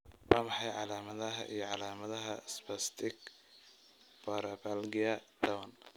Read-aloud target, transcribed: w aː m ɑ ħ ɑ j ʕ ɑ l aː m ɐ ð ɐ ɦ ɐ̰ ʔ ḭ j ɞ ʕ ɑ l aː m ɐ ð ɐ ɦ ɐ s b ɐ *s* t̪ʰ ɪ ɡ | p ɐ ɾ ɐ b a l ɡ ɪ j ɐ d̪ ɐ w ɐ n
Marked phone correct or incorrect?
correct